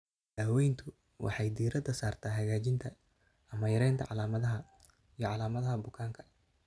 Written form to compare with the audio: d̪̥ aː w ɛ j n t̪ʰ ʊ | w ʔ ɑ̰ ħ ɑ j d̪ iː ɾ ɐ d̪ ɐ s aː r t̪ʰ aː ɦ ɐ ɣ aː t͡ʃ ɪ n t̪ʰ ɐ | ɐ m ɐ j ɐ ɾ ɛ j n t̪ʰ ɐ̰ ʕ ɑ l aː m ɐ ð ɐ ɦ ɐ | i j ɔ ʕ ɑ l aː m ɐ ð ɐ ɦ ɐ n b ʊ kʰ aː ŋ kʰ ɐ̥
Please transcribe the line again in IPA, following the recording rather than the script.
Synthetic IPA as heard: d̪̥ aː w ɛ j n t̪ʰ ʊ | w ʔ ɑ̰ ħ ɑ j d̪ iː ɾ ɐ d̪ ɐ s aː r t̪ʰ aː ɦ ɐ ɣ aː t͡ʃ ɪ n t̪ʰ ɐ | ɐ m ɐ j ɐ ɾ ɛ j n t̪ʰ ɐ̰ ʕ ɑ l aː m ɐ ð ɐ ɦ ɐ | i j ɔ ʕ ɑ l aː m ɐ ð ɐ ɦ ɐ b ʊ kʰ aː ŋ kʰ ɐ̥